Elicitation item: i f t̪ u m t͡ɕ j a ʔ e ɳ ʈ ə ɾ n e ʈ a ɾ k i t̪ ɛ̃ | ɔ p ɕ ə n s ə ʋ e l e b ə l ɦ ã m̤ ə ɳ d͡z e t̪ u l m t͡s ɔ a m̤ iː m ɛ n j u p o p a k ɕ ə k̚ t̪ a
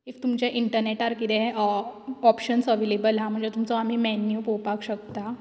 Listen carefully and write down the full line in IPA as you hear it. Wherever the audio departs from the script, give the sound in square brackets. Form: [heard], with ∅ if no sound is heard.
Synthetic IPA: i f t̪ u m t͡ɕ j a ʔ [i] ɳ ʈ ə ɾ n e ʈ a ɾ k i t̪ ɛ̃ | ɔ p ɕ ə n s ə ʋ e l e b ə l ɦ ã m̤ ə ɳ d͡z e t̪ u [∅] m t͡s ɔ a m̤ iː m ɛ n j u p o p a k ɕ ə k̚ t̪ a